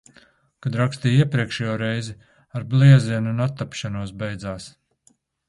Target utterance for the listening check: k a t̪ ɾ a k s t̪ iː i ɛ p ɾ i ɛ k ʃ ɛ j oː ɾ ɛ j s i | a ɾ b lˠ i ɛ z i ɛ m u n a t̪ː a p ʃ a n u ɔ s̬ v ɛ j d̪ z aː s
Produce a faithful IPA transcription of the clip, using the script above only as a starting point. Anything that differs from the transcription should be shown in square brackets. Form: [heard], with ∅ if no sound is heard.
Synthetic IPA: k a [d̪] ɾ a k s t̪ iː i ɛ p ɾ i ɛ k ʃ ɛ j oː ɾ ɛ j [z] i | a ɾ b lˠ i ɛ z i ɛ [n] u n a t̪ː a p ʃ a n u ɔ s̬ [b] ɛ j d̪ z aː s